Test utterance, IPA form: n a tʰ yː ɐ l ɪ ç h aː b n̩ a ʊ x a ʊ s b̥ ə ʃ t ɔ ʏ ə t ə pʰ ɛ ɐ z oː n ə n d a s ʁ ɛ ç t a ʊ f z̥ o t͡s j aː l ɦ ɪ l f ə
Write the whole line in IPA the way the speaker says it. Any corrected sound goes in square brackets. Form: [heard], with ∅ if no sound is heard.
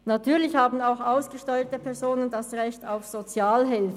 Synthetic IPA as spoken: n a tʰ yː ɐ l ɪ ç h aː b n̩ a ʊ x a ʊ s [ɡ̥] ə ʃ t ɔ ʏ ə t ə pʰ ɛ ɐ z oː n ə n d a s ʁ ɛ ç t a ʊ f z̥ o t͡s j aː l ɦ ɪ l f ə